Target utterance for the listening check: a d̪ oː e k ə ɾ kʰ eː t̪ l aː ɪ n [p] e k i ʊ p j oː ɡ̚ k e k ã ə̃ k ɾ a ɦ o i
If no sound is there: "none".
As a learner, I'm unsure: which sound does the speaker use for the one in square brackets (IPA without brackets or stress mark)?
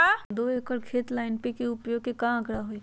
p